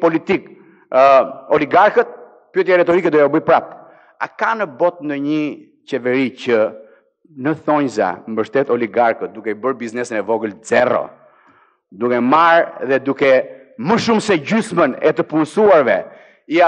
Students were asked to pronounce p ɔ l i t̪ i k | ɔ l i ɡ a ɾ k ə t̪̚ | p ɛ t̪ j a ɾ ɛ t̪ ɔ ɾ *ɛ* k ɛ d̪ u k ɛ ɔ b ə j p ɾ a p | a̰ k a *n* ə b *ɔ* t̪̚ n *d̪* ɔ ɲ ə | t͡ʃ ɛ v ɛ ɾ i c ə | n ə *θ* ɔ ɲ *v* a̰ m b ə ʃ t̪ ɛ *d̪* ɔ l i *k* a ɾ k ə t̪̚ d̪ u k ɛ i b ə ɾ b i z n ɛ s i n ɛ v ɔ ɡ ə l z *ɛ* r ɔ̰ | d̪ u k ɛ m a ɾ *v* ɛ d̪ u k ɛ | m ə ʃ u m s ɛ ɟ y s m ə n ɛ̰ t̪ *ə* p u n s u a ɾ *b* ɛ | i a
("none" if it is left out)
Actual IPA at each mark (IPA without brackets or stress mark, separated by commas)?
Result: i, n, ɔ, d̪, θ, z, t̪, ɡ, ɛ, ð, ə, v